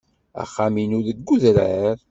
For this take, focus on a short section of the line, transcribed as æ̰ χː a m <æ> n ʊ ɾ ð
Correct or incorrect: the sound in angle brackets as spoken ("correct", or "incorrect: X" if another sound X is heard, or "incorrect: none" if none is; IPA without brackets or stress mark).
incorrect: i